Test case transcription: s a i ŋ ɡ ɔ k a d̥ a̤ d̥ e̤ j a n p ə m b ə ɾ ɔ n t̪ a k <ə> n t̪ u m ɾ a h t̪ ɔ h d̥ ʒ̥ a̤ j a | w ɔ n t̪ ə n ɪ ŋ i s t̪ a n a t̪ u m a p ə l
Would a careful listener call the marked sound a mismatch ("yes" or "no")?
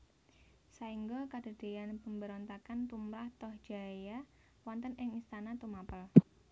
yes